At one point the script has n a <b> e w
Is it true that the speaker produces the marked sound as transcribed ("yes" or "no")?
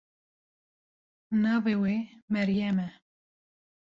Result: no